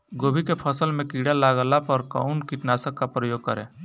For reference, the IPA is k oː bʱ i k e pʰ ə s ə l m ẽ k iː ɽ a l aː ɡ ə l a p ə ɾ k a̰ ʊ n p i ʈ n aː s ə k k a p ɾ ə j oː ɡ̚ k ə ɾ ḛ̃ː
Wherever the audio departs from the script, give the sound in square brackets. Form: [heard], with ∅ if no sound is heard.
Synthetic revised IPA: [ɡ] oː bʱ i k e pʰ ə s ə l m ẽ k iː ɽ a l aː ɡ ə l a p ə ɾ k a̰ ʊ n [k] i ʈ n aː s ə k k a p ɾ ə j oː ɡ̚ k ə ɾ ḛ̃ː